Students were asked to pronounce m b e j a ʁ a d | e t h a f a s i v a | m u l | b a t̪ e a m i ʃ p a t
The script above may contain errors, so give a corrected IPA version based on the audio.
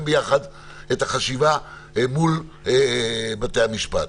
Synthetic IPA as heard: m b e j a χ a d | e t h a χ a ʃ i v a | m u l | b a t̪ e a m i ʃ p a t